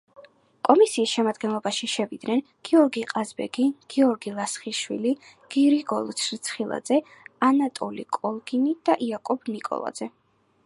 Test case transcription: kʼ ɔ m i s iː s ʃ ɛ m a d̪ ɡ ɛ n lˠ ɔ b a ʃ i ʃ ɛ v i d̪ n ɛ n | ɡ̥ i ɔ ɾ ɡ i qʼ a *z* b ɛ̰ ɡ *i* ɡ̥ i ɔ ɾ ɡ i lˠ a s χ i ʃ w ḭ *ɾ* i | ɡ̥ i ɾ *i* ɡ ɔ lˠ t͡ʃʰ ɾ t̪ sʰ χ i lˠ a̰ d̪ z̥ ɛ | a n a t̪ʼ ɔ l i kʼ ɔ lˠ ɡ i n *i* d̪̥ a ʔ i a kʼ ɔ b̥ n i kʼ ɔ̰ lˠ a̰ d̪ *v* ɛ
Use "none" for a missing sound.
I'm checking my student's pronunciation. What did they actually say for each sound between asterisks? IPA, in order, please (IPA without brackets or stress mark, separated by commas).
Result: z, i, l, i, i, z